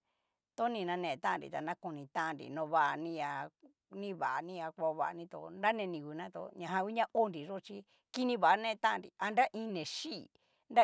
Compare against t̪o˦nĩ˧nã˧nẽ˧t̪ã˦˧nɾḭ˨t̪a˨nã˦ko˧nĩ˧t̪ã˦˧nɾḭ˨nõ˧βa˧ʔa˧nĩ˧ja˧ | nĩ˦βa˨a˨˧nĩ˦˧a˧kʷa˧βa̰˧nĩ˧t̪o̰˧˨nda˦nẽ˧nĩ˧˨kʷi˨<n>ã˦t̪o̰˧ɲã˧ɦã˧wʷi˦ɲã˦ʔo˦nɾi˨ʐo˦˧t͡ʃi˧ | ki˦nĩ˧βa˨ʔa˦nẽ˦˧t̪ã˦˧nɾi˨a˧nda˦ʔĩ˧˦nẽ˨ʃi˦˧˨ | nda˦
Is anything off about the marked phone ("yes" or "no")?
no